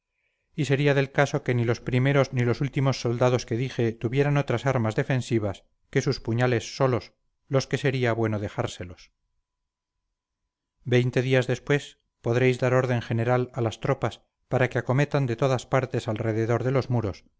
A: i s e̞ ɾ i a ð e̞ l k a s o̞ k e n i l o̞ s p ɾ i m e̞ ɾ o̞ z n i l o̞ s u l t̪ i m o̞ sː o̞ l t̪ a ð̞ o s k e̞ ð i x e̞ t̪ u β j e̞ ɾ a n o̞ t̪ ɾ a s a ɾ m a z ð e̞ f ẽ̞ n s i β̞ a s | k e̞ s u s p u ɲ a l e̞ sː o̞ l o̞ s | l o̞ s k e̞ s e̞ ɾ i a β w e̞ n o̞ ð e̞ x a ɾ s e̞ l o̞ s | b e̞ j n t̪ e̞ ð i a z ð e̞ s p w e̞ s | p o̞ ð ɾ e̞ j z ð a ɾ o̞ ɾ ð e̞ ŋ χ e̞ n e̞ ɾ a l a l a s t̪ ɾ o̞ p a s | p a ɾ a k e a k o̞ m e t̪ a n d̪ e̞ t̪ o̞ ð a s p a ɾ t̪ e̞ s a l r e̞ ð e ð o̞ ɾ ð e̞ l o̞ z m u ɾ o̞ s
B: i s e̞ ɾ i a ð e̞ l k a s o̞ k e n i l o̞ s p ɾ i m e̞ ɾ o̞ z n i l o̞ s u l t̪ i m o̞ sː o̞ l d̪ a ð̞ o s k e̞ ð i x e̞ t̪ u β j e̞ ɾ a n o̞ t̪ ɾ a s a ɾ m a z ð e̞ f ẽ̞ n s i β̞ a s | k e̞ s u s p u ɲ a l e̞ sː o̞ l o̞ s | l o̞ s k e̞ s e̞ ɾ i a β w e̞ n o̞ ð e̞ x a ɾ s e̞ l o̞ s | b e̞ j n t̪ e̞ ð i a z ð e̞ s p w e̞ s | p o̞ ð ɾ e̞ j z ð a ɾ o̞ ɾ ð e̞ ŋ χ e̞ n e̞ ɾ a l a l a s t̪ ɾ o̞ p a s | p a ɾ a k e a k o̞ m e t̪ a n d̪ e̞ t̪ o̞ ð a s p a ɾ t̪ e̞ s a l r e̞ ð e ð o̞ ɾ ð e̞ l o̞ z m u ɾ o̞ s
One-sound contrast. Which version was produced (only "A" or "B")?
B